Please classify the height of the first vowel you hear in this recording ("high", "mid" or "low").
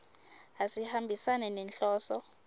low